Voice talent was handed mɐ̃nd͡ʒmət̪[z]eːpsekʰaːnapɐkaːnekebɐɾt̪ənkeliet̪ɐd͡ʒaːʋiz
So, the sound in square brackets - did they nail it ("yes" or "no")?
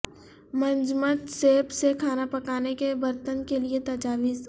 no